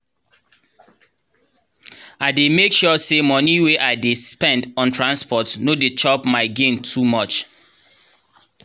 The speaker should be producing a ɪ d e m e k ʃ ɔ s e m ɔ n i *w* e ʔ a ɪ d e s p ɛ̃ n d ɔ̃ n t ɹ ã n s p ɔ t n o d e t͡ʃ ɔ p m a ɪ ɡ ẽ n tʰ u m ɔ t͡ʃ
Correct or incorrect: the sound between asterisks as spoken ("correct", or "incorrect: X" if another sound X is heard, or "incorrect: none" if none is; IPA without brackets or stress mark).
correct